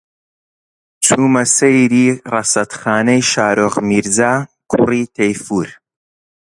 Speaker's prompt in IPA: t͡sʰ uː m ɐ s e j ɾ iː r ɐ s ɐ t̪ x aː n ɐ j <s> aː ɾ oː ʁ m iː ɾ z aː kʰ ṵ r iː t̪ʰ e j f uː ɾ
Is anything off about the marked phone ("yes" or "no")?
yes